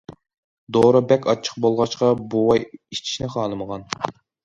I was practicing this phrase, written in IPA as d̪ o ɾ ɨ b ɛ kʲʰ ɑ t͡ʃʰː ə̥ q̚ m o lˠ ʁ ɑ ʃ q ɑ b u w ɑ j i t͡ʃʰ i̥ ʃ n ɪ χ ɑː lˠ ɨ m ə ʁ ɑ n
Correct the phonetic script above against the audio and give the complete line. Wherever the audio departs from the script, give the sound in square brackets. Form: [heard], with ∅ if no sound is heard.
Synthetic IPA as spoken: d̪ o ɾ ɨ b ɛ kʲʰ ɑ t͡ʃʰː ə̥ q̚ [b] o lˠ ʁ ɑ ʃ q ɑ b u w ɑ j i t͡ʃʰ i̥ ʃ n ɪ χ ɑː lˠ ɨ m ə ʁ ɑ n